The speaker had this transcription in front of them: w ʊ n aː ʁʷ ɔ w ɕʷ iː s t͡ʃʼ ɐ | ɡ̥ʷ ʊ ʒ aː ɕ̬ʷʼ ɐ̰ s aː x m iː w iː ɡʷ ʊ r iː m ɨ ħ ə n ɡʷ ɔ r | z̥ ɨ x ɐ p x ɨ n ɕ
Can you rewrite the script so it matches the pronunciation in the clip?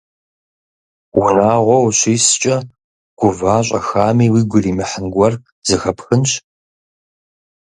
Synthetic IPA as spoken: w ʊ n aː ʁʷ ɔ w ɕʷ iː s t͡ʃʼ ɐ | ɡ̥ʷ ʊ v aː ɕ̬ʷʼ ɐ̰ x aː m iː w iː ɡʷ ʊ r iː m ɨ ħ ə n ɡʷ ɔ r | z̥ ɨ x ɐ p x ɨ n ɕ

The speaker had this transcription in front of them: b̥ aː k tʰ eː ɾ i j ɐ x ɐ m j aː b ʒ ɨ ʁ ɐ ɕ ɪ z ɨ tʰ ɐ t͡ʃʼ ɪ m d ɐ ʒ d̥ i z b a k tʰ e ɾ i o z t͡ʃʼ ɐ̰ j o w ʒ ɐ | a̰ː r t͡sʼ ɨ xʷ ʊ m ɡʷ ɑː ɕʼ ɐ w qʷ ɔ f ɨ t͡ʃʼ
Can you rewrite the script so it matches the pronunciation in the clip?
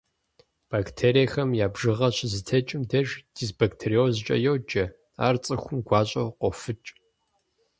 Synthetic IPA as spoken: b̥ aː k tʰ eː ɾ i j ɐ x ɐ m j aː b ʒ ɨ ʁ ɐ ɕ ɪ z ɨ tʰ ɐ t͡ʃʼ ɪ m d ɐ ʒ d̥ i z b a k tʰ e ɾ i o z t͡ʃʼ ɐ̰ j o w d͡ʒ ɐ | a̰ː r t͡sʼ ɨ xʷ ʊ m ɡʷ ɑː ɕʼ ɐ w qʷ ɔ f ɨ t͡ʃʼ

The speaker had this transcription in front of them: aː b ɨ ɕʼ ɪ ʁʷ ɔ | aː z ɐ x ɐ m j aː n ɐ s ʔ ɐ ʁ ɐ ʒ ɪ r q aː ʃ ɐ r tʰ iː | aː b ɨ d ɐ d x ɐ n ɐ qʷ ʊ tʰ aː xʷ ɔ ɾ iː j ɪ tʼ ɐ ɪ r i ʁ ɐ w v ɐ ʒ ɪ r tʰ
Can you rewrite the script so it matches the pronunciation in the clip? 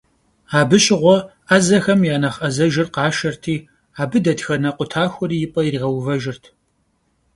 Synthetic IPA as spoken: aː b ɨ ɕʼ ɪ ʁʷ ɔ | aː z ɐ x ɐ m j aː n ɐ χ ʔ ɐ z ɐ ʒ ɪ r q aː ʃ ɐ r tʰ iː | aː b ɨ d ɐ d x ɐ n ɐ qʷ ʊ tʰ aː xʷ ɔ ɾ iː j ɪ pʼ ɐ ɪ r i ʁ ɐ w v ɐ ʒ ɪ r tʰ

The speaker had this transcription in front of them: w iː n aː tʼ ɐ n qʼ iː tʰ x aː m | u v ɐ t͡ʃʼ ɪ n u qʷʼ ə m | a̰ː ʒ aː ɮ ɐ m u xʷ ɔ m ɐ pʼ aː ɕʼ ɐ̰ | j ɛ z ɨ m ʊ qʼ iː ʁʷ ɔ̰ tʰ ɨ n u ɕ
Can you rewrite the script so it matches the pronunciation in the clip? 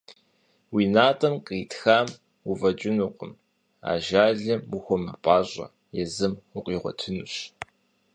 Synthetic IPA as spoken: w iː n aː tʼ ɐ m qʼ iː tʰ x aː m | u v ɐ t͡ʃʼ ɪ n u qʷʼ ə m | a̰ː ʒ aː ɮ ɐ m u xʷ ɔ m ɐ pʼ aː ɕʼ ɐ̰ | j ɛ z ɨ m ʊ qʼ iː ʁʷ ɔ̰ tʰ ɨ n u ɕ

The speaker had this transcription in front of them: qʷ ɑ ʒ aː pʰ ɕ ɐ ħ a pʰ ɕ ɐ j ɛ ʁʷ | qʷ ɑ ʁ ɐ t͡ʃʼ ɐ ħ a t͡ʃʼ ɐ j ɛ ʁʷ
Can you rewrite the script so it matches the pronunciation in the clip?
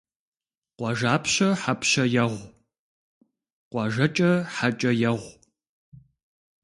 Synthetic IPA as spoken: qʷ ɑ ʒ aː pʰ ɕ ɐ ħ a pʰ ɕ ɐ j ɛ ʁʷ | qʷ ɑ ʒ ɐ t͡ʃʼ ɐ ħ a t͡ʃʼ ɐ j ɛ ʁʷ

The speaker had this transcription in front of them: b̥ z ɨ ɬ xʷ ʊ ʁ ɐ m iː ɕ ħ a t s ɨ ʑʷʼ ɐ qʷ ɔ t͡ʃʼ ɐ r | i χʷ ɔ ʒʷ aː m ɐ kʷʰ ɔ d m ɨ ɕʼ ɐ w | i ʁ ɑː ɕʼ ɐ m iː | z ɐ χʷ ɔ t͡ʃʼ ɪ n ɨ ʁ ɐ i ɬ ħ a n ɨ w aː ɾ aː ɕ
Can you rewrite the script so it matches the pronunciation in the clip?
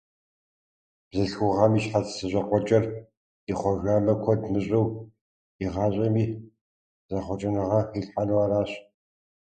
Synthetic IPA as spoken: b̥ z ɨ ɬ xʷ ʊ ʁ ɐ m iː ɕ ħ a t s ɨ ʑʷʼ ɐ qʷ ɔ t͡ʃʼ ɐ r | i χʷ ɔ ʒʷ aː m ɐ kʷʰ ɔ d m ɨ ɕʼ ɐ w | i ʁ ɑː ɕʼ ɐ m iː | z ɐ χʷ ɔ t͡ʃʼ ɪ n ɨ ʁ ɐ i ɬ ħ a n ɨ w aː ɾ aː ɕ

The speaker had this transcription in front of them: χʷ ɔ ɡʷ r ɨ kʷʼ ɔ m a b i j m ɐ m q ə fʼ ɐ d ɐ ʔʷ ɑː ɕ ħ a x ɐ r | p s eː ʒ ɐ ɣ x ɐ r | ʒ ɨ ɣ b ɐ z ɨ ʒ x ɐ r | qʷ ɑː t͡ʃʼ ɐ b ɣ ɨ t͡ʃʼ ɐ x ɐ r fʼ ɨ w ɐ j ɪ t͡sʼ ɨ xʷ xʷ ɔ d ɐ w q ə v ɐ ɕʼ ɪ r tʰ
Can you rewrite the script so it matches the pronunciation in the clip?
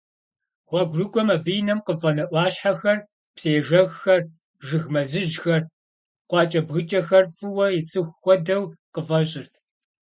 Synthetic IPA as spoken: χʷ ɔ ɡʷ r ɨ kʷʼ ɔ m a b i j n ɐ m q ə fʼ ɐ n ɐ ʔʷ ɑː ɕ ħ a x ɐ r | p s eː ʒ ɐ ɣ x ɐ r | ʒ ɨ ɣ m ɐ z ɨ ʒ x ɐ r | qʷ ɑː t͡ʃʼ ɐ b ɣ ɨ t͡ʃʼ ɐ x ɐ r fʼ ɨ w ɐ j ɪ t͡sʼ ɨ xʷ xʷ ɔ d ɐ w q ə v ɐ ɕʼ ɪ r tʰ

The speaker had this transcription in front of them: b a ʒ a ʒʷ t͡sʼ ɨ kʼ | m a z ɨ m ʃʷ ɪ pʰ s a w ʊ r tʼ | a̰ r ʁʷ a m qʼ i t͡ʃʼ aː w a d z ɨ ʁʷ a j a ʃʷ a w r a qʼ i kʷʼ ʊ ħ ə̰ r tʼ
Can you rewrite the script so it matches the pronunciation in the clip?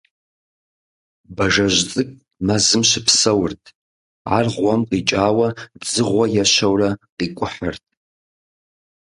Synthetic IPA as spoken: b a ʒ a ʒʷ t͡sʼ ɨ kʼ | m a z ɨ m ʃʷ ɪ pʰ s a w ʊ r tʼ | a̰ r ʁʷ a m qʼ i t͡ʃʼ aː w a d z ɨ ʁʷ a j a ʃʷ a w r a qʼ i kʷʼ ʊ ħ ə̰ r tʼ

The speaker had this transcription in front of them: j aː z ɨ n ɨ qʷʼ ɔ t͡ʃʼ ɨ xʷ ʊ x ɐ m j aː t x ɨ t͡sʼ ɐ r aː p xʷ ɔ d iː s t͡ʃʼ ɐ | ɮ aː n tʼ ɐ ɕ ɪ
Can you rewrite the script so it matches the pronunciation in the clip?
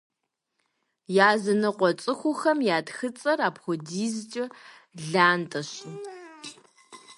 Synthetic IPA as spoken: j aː z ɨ n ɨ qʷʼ ɔ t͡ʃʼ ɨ xʷ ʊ x ɐ m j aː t x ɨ t͡sʼ ɐ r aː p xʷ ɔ d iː z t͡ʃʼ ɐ | ɮ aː n tʼ ɐ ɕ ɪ

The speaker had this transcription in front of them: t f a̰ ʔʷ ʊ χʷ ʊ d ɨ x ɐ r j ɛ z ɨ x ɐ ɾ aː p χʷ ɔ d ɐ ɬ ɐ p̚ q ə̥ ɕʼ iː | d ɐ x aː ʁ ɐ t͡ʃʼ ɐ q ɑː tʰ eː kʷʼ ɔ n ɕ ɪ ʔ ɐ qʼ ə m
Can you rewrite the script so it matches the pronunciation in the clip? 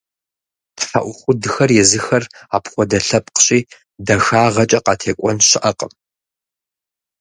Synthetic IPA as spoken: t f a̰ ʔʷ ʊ χʷ ʊ d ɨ x ɐ r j ɛ z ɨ x ɐ r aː p χʷ ɔ d ɐ ɬ ɐ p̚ q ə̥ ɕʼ iː | d ɐ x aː ʁ ɐ t͡ʃʼ ɐ q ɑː tʰ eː kʷʼ ɔ n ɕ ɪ ʔ ɐ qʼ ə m

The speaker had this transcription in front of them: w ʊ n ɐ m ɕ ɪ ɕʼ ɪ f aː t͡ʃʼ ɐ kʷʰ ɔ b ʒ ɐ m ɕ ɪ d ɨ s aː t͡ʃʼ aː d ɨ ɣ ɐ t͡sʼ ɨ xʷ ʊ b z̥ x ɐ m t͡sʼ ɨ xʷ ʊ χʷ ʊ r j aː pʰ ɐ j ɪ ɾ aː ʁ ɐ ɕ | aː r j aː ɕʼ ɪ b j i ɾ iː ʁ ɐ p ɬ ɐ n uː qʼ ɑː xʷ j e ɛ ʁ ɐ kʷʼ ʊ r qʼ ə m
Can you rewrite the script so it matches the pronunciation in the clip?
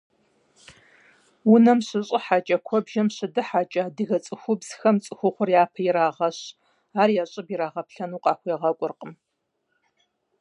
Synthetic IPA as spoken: w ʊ n ɐ m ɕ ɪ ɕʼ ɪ ħ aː t͡ʃʼ ɐ kʷʰ ɔ b ʒ ɐ m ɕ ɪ d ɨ ħ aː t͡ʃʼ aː d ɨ ɣ ɐ t͡sʼ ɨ xʷ ʊ b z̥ x ɐ m t͡sʼ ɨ xʷ ʊ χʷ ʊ r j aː pʰ ɐ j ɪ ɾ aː ʁ ɐ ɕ | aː r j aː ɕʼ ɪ b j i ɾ aː ʁ ɐ p ɬ ɐ n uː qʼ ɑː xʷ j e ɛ ʁ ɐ kʷʼ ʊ r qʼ ə m

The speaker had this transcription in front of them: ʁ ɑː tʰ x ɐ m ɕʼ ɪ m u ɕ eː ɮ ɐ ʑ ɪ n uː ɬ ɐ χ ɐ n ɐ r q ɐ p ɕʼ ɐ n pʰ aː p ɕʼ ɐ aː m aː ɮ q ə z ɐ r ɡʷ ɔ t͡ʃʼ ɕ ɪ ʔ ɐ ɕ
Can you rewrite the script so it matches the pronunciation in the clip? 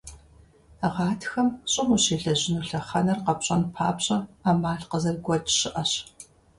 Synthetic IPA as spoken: ʁ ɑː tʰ x ɐ m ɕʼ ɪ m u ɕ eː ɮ ɐ ʑ ɪ n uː ɬ ɐ χ ɐ n ɐ r q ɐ p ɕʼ ɐ n pʰ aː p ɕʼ ɐ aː m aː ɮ q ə z ɐ r ɡʷ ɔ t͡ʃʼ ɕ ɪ ʔ ɐ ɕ

